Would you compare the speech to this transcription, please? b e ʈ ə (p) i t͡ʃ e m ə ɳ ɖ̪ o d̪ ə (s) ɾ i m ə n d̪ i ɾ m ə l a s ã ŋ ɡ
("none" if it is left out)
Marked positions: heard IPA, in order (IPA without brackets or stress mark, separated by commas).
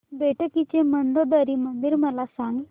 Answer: k, none